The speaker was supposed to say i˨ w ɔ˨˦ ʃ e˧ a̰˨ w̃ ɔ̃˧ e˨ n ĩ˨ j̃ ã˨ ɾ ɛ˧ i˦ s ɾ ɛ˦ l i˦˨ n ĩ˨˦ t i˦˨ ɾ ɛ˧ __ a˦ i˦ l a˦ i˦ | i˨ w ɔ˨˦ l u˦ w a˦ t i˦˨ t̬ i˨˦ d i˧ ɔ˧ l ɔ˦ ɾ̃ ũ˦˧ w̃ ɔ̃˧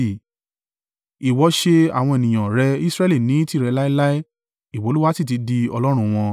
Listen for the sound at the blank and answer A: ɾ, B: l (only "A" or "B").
B